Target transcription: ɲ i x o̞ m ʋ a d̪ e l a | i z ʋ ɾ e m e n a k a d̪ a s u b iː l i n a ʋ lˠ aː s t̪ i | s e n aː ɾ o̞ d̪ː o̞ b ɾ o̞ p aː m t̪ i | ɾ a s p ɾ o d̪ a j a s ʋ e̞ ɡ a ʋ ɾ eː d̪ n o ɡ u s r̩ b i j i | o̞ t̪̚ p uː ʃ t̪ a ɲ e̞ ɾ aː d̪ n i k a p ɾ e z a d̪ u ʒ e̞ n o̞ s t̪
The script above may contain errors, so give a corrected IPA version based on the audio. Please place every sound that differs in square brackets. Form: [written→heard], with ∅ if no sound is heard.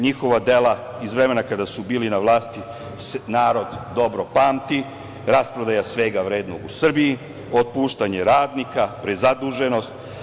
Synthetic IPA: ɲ i x o̞ [m→∅] ʋ a d̪ e l a | i z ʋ ɾ e m e n a k a d̪ a s u b iː l i n a ʋ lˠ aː s t̪ i | s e n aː ɾ o̞ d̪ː o̞ b ɾ o̞ p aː m t̪ i | ɾ a s p ɾ o d̪ a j a s ʋ e̞ ɡ a ʋ ɾ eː d̪ n o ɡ u s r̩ b i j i | o̞ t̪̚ p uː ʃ t̪ a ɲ e̞ ɾ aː d̪ n i k a p ɾ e z a d̪ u ʒ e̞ n o̞ s t̪